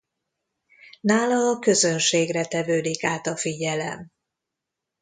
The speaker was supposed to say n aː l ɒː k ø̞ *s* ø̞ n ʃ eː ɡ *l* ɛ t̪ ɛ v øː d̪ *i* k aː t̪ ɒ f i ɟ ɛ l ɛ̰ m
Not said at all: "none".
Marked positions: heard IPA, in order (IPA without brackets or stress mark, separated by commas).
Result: z, r, i